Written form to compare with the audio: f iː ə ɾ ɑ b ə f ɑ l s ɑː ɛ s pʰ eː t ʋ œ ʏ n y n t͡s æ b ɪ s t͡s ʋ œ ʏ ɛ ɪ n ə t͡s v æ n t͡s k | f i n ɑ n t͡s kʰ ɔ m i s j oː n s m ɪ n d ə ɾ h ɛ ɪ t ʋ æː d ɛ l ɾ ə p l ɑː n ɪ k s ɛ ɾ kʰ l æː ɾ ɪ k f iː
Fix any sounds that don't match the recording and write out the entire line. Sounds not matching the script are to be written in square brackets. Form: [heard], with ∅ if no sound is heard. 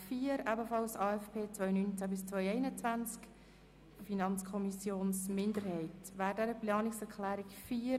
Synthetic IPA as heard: f iː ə ɾ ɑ b ə f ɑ l s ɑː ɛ [f] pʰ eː [t͡s] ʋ œ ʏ n y n t͡s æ b ɪ s t͡s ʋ œ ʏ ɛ ɪ n ə t͡s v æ n t͡s k | f i n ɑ n t͡s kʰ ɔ m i s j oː n s m ɪ n d ə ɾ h ɛ ɪ t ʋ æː d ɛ [∅] ɾ ə p l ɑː n ɪ k s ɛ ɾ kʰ l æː ɾ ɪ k f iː